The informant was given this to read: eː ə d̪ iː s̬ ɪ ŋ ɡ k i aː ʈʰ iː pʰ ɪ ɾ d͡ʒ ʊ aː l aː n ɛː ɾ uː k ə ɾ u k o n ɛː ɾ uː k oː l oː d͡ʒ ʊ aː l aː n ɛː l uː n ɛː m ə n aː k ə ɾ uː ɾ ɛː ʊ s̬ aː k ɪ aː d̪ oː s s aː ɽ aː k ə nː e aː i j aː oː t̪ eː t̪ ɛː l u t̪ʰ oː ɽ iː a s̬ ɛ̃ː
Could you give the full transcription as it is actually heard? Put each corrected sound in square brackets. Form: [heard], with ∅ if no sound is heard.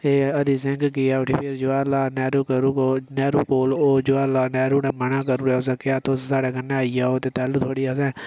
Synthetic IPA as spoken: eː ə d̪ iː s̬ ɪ ŋ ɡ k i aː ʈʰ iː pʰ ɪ ɾ d͡ʒ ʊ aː l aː n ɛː ɾ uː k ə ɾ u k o n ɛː ɾ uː k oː l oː d͡ʒ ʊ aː l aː n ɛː [ɾ] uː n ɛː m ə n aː k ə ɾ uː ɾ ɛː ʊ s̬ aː k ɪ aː [t̪] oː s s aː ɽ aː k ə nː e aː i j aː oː t̪ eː t̪ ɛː l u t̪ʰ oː ɽ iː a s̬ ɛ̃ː